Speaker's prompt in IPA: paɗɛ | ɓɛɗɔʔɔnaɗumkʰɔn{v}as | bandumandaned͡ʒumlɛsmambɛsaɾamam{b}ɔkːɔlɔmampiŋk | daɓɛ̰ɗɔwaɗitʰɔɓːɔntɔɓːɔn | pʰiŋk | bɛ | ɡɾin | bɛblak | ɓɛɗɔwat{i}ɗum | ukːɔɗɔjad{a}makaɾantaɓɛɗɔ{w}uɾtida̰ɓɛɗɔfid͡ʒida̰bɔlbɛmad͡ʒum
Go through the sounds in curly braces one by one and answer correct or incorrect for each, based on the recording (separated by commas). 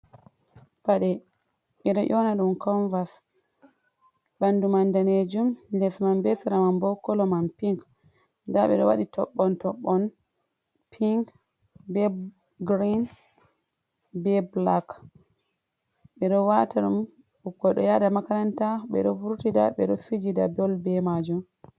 correct, correct, incorrect, correct, incorrect